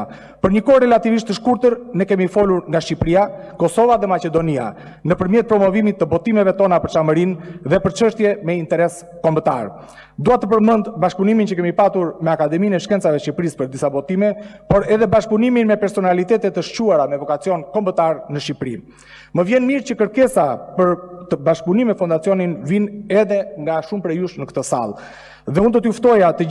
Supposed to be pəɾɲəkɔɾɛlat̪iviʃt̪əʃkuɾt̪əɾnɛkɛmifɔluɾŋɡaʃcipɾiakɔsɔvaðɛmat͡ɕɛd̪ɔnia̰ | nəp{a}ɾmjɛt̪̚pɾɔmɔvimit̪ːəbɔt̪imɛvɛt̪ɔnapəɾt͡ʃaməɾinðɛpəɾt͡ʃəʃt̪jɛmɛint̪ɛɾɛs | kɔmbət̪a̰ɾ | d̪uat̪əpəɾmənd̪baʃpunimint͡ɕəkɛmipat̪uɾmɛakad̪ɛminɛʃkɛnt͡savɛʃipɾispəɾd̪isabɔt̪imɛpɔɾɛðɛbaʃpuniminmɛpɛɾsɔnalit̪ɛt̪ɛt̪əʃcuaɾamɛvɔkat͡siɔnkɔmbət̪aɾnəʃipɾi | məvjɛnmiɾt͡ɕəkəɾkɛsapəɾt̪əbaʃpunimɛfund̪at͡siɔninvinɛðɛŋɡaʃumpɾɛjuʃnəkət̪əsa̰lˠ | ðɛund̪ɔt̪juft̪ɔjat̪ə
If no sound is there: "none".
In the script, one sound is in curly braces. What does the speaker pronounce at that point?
ə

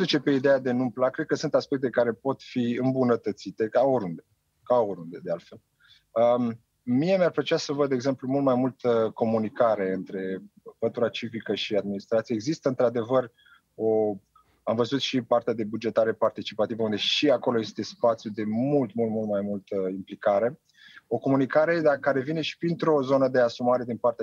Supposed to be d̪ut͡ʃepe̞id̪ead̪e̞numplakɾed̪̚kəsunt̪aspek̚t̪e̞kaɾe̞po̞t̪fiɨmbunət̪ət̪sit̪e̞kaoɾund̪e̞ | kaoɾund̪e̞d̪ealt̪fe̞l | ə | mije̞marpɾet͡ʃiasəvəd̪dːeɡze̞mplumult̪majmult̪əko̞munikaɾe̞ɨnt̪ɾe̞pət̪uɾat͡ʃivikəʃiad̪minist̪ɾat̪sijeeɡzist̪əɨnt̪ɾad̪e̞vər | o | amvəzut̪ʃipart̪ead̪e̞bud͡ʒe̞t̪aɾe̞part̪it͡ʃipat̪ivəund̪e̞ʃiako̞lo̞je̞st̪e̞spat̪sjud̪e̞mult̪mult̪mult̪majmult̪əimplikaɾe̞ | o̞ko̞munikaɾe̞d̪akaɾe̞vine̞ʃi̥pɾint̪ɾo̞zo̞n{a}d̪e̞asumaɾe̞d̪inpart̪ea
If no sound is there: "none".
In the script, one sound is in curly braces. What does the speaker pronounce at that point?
ə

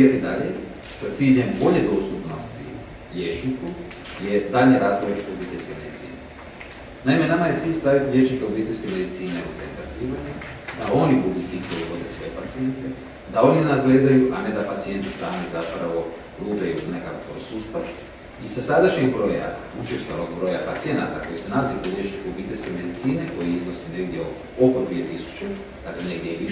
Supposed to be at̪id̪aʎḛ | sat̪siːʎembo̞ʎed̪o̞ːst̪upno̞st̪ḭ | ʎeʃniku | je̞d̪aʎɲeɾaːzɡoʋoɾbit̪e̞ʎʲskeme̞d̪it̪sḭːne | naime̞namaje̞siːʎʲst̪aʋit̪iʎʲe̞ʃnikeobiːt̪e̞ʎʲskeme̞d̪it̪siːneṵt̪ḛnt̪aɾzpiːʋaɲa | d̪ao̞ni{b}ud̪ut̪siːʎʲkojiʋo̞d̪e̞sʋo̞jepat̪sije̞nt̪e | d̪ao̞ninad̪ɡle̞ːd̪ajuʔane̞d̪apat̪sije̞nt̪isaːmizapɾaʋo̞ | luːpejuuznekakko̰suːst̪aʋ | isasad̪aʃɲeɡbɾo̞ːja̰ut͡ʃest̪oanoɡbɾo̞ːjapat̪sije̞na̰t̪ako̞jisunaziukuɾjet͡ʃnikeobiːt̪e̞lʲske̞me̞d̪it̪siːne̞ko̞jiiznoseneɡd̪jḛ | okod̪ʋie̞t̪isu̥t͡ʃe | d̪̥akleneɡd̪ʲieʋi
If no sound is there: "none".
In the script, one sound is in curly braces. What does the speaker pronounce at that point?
b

